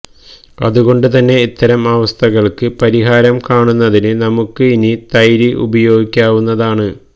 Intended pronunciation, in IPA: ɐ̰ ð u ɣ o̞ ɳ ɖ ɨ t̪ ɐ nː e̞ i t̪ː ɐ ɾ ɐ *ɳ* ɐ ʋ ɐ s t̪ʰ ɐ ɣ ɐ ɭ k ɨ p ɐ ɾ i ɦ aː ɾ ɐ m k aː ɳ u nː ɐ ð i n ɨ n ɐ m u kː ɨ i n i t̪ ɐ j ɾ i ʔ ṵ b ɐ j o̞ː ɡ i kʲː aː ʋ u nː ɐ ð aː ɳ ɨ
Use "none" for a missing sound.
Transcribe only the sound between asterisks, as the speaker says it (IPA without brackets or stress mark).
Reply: m